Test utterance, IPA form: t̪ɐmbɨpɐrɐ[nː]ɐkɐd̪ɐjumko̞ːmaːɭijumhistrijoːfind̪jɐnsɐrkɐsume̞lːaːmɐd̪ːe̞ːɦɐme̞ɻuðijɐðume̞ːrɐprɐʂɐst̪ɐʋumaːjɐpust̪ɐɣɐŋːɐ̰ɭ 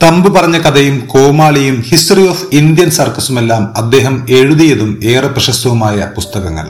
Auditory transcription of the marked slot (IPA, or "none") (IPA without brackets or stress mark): ɲː